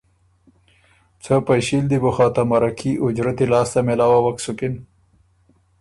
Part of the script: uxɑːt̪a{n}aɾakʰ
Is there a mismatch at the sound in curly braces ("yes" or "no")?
yes